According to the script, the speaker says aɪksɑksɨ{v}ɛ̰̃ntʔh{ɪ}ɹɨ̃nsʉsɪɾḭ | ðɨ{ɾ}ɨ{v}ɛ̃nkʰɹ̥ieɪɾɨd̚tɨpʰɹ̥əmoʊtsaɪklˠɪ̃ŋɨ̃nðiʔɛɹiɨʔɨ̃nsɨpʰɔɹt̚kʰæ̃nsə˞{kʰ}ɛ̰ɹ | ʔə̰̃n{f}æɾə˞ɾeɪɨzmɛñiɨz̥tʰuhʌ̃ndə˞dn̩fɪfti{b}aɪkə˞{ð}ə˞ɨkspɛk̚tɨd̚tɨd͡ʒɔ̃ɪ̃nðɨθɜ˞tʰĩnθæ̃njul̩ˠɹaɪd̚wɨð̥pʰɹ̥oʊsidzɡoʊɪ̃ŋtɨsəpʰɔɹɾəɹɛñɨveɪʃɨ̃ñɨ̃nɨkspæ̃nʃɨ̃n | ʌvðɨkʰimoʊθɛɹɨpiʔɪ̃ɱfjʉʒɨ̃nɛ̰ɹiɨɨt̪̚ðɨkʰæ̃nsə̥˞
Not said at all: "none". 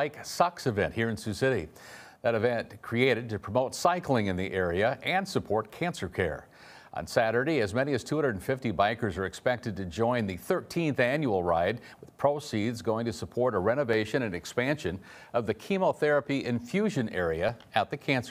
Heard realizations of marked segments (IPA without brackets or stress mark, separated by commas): v, i, ɾ, v, kʰ, s, b, z